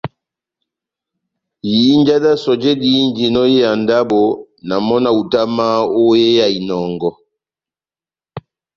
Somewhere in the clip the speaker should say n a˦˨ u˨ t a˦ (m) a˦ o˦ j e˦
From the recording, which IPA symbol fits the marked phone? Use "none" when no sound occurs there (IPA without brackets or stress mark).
m